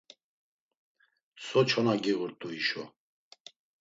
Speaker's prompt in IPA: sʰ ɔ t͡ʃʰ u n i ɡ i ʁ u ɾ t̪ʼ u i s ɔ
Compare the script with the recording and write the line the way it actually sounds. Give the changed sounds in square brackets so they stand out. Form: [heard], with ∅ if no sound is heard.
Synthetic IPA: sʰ ɔ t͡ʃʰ [ɔ] n [a] ɡ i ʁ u ɾ t̪ʼ u i [ʃ] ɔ